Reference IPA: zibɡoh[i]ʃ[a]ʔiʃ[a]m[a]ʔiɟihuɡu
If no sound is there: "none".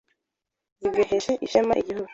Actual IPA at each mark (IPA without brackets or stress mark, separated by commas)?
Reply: e, e, e, a